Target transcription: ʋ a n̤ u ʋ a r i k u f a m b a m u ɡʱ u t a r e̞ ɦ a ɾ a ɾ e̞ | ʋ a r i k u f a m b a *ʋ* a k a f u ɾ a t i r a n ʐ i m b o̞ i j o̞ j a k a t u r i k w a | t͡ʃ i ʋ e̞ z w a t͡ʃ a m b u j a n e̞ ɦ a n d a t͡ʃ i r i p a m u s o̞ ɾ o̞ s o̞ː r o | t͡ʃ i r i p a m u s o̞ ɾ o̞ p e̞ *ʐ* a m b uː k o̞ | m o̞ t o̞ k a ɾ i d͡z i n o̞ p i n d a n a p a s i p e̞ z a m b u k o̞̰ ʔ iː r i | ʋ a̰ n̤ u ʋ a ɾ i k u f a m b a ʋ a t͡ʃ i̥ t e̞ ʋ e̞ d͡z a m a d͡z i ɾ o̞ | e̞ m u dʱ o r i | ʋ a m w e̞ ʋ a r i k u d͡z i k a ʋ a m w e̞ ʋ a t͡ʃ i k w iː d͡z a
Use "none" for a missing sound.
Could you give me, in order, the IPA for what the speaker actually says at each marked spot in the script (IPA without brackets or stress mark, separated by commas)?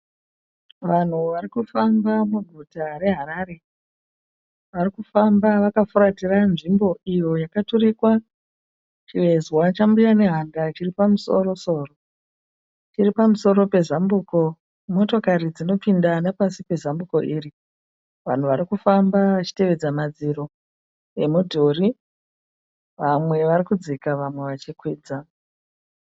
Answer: ʋ, z